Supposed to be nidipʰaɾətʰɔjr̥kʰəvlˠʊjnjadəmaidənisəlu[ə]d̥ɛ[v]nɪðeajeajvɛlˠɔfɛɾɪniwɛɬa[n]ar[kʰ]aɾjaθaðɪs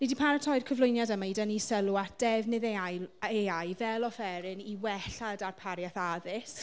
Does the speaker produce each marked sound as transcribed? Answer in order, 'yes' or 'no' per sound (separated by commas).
no, yes, no, no